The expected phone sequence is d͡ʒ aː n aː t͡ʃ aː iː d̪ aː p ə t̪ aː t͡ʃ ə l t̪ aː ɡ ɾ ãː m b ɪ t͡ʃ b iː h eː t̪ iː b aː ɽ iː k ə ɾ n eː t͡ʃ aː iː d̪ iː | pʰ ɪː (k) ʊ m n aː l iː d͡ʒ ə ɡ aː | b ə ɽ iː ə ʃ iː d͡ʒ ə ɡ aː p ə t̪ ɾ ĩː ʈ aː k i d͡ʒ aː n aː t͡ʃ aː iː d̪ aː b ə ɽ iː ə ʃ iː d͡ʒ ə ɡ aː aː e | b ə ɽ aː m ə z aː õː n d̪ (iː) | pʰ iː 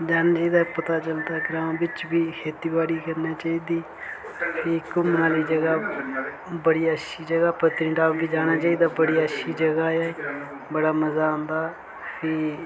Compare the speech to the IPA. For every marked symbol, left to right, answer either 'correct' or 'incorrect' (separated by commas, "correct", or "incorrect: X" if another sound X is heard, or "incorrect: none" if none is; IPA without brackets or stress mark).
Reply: correct, incorrect: aː